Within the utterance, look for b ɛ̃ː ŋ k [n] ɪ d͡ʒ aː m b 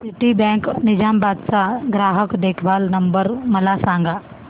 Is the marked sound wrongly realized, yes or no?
no